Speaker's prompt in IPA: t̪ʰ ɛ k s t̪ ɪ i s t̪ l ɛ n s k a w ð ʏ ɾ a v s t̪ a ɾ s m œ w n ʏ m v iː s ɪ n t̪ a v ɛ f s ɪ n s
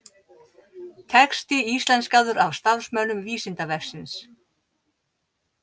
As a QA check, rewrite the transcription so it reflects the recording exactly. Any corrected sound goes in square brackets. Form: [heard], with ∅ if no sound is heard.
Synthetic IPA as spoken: t̪ʰ ɛ k s t̪ ɪ i s t̪ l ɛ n s k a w ð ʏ ɾ a v s t̪ a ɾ s m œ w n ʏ m v iː s ɪ n t̪ a v ɛ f s ɪ n s